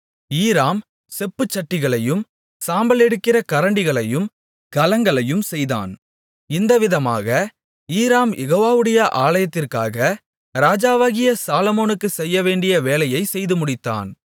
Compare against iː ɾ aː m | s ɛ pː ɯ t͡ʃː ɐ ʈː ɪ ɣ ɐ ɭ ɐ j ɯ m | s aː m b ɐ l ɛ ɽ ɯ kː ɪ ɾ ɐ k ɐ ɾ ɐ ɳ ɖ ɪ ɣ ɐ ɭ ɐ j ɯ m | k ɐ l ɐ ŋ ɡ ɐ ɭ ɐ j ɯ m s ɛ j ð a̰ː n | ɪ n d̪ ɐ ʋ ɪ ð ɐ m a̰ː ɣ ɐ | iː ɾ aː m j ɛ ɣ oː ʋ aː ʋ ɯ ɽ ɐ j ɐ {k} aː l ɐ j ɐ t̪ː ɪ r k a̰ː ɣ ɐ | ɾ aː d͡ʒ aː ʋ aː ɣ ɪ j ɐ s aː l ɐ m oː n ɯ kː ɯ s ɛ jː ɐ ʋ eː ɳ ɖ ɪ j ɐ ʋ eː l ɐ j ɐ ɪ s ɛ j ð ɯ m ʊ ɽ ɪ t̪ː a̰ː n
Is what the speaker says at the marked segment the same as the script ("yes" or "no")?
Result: no